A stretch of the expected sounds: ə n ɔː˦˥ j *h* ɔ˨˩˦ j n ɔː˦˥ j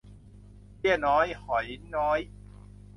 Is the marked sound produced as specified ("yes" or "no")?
yes